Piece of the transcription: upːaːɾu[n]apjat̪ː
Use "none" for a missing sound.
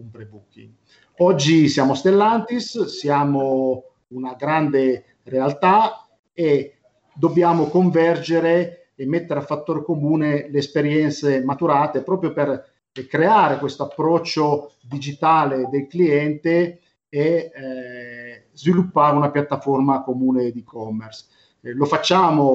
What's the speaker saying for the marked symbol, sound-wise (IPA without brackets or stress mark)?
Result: n